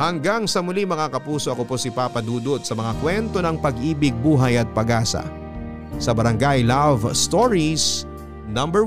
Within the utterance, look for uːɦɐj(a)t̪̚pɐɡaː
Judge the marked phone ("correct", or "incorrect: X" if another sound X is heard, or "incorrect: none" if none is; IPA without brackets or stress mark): incorrect: ɐ